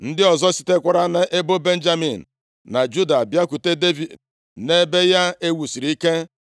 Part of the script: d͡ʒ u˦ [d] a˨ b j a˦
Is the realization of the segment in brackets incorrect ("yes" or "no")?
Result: no